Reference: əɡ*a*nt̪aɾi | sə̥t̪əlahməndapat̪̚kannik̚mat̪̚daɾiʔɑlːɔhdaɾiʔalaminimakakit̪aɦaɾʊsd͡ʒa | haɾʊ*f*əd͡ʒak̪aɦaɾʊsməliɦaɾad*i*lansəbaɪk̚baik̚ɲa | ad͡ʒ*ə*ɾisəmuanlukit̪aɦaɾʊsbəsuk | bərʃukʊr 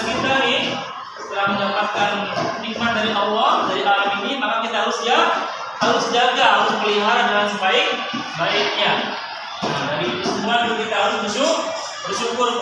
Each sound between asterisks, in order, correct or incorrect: incorrect: i, incorrect: s, incorrect: a, incorrect: a

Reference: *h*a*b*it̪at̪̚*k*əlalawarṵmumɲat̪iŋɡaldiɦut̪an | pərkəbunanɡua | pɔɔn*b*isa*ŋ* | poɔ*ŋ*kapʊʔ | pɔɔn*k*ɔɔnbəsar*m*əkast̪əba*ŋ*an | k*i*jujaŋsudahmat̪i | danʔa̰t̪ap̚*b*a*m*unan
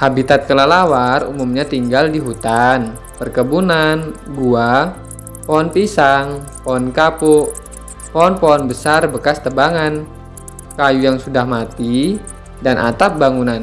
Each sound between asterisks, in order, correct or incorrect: correct, correct, correct, incorrect: p, correct, incorrect: n, incorrect: p, incorrect: b, correct, incorrect: a, correct, incorrect: ŋ

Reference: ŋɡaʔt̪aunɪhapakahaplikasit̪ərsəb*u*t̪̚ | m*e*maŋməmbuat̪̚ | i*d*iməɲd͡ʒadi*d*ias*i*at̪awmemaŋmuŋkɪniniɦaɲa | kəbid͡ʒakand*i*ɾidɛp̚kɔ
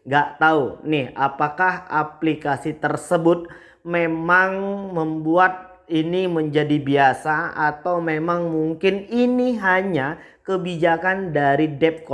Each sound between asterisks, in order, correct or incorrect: incorrect: ʊ, correct, incorrect: n, incorrect: b, incorrect: a, incorrect: a

